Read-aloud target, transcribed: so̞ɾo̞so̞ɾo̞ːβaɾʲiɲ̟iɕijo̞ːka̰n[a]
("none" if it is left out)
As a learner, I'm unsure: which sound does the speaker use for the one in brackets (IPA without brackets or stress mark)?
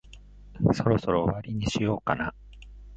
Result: a